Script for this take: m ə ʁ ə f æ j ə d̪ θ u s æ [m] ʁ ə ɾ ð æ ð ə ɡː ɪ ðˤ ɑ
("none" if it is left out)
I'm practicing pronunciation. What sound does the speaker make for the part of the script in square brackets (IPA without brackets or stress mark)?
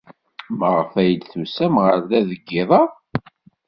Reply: m